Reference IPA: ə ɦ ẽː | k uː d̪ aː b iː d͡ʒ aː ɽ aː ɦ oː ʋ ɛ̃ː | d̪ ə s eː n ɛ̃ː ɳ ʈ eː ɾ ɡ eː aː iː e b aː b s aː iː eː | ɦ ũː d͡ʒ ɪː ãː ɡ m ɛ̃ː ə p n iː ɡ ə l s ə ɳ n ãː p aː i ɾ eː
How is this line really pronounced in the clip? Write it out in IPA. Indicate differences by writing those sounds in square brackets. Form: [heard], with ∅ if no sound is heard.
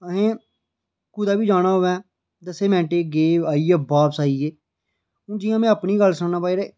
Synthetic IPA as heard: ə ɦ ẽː | k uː d̪ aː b iː d͡ʒ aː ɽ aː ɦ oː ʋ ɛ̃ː | d̪ ə s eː [m] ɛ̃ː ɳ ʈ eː [∅] ɡ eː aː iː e b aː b s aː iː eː | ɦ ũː d͡ʒ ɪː ãː [∅] m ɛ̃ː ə p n iː ɡ ə l s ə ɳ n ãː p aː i ɾ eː